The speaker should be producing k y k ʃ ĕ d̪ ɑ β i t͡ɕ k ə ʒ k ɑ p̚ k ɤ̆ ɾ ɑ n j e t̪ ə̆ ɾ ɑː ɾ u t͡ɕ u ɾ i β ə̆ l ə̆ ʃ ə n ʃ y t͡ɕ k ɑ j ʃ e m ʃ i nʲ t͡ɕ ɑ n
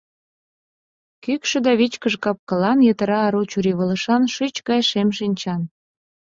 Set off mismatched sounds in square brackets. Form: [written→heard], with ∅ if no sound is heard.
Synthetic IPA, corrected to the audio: k y k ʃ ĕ d̪ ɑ β i t͡ɕ k ə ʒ k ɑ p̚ k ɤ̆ [ɾ→l] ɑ n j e t̪ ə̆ ɾ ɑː ɾ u t͡ɕ u ɾ i β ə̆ l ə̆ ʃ [ə→ɑ] n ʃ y t͡ɕ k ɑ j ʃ e m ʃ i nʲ t͡ɕ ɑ n